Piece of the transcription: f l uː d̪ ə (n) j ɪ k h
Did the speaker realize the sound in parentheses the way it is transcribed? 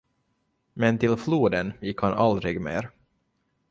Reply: yes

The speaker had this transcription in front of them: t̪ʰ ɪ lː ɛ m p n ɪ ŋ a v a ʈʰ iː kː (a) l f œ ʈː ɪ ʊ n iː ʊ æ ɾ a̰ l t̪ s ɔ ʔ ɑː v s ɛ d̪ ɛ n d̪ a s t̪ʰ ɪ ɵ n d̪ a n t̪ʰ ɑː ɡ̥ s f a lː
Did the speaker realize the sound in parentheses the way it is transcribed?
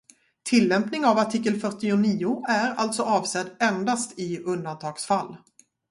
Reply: no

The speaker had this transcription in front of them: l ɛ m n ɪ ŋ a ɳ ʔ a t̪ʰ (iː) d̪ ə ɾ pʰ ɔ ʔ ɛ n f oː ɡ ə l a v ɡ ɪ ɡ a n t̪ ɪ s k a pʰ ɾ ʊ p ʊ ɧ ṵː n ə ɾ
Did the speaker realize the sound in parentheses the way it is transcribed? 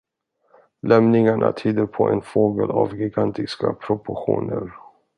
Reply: no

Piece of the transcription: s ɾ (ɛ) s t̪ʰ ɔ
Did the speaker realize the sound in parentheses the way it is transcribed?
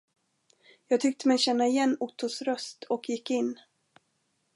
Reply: no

